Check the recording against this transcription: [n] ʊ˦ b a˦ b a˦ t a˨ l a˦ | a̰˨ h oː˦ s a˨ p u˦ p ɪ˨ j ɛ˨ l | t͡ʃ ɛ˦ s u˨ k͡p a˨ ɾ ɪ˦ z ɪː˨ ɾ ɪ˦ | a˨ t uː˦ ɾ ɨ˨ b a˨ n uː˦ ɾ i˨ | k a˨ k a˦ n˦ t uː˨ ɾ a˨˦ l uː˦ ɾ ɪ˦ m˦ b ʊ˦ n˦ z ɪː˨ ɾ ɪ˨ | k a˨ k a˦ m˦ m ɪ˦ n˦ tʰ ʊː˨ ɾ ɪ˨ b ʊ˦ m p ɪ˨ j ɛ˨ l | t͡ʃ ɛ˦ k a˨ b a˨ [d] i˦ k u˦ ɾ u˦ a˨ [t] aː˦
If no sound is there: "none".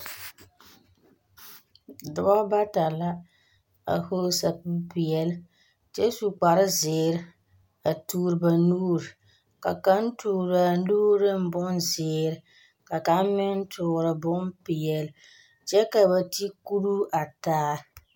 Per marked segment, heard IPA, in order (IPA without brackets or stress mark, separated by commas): d, t, t